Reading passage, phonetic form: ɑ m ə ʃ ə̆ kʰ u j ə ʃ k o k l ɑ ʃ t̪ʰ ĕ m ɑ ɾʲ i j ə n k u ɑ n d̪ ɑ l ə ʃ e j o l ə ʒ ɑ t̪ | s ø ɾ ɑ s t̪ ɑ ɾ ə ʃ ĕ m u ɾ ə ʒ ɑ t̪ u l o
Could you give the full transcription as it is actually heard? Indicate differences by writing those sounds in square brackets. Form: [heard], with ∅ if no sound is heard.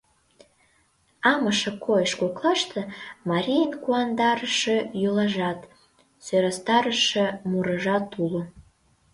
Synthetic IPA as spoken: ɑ m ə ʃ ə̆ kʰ [o] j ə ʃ k o k l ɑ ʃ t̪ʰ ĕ m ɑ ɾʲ i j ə n k u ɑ n d̪ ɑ [ɾ] ə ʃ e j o l [ɑ] ʒ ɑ t̪ | s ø ɾ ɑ s t̪ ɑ ɾ ə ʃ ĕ m u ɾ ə ʒ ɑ t̪ u l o